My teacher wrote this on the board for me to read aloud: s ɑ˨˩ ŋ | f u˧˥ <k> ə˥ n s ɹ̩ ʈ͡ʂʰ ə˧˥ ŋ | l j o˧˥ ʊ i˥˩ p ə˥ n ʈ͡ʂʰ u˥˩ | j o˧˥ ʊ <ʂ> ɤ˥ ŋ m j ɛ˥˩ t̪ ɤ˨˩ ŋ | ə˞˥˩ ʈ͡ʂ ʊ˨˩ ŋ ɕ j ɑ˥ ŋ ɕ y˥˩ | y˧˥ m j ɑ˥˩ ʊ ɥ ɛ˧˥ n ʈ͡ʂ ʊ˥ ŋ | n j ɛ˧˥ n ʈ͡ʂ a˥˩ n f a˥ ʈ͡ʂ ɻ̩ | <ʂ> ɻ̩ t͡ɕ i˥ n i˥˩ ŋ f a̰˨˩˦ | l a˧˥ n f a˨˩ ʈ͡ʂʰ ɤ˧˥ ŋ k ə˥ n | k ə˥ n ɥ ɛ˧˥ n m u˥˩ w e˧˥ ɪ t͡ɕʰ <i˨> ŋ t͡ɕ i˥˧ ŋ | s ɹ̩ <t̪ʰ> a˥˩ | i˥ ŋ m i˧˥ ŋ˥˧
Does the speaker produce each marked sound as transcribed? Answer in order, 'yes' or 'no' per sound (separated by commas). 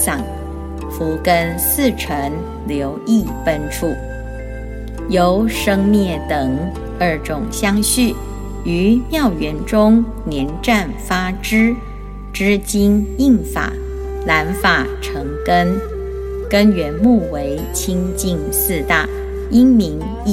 yes, yes, no, no, no